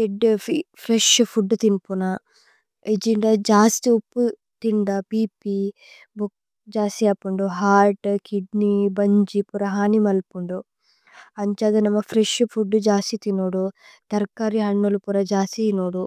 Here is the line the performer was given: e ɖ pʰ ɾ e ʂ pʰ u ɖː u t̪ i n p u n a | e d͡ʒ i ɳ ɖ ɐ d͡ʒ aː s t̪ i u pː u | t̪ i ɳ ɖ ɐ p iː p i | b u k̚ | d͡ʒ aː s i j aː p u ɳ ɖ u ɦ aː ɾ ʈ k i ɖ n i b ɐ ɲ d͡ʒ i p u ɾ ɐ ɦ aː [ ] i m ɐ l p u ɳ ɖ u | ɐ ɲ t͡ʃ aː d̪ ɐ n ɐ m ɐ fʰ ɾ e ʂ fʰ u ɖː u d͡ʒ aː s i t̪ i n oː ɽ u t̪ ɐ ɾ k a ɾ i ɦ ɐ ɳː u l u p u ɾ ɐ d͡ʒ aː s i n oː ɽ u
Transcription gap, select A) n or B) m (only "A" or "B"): A